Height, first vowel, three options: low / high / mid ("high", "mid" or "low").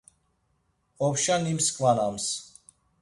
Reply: mid